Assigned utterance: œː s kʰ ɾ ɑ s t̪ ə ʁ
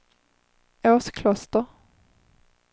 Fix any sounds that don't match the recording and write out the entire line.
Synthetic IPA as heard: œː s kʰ l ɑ s t̪ ə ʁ